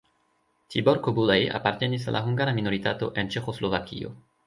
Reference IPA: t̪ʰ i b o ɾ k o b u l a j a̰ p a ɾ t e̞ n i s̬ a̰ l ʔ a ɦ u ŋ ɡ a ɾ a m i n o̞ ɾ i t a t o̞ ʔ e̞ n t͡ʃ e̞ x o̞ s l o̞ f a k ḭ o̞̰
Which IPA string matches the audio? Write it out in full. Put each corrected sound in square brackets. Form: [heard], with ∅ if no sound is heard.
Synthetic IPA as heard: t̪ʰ i b o ɾ k o b u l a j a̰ p a ɾ t e̞ n i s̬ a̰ l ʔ a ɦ u ŋ ɡ a ɾ a m i n o̞ ɾ i t a t o̞ ʔ e̞ n t͡ʃ e̞ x o̞ s l o̞ [v] a k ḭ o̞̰